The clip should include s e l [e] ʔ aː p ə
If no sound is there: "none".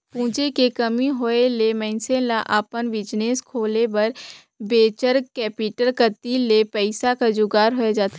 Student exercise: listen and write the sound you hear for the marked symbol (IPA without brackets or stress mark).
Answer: a